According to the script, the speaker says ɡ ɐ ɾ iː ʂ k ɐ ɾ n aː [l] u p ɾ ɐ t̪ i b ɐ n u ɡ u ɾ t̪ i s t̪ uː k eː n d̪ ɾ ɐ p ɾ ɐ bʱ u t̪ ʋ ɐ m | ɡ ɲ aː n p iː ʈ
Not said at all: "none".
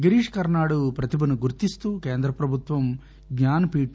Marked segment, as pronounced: ɽ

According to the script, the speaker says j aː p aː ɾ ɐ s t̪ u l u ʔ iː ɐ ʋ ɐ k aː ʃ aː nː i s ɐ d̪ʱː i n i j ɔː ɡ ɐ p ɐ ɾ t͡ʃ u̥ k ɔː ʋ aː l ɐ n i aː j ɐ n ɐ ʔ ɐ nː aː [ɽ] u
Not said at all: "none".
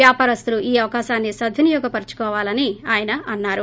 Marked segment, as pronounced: ɾ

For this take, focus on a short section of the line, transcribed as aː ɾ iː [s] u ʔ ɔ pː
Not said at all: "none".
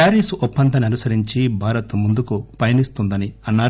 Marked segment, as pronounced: s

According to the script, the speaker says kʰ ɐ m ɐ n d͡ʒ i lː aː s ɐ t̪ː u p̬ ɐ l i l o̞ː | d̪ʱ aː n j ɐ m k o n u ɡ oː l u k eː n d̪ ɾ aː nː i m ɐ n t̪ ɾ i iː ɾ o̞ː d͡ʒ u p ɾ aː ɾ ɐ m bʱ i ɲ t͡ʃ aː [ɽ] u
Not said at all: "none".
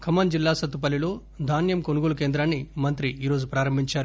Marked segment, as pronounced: ɾ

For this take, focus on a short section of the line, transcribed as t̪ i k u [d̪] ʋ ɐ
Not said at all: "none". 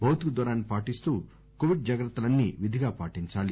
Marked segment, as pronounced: d̪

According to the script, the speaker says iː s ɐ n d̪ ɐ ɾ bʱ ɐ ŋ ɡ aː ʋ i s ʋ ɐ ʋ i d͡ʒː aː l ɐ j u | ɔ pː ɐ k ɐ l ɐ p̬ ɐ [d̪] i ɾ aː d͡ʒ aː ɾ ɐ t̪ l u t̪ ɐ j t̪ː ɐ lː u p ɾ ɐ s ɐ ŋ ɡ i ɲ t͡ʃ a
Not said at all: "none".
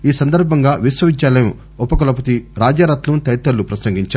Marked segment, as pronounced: t̪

